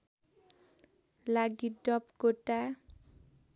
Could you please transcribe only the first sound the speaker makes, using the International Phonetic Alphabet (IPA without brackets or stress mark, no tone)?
l